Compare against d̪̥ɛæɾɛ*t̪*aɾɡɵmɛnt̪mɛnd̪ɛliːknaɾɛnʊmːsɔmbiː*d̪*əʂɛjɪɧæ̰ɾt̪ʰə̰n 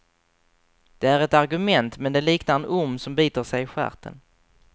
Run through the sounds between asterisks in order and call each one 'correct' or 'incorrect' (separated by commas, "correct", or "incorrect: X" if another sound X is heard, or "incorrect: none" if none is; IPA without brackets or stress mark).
correct, incorrect: t̪